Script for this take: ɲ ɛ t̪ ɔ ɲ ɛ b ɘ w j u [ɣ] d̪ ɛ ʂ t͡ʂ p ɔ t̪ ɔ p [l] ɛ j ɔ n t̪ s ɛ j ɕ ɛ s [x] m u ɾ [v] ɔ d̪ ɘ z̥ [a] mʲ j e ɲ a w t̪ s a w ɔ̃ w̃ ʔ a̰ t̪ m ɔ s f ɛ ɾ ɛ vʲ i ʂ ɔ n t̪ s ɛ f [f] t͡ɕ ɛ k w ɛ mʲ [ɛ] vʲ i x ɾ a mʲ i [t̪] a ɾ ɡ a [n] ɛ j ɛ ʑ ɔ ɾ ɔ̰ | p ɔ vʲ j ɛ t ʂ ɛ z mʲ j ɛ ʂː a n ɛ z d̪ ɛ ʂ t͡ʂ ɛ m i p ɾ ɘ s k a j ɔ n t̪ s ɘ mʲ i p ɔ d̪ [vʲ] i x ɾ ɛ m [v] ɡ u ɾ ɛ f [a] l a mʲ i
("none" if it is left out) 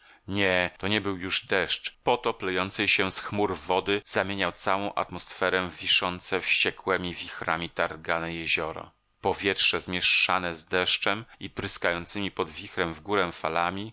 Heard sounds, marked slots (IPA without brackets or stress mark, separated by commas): ʐ, l, x, v, a, ɕ, i, t̪, n, vʲ, v, a